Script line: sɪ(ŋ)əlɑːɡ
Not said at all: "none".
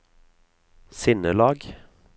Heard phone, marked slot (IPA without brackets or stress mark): n